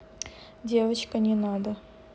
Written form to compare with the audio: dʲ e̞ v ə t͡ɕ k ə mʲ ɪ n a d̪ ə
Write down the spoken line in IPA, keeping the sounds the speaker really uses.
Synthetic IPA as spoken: dʲ e̞ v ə t͡ɕ k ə nʲ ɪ n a d̪ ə